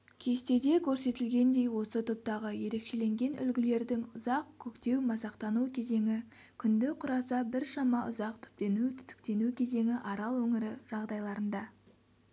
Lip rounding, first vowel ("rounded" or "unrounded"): unrounded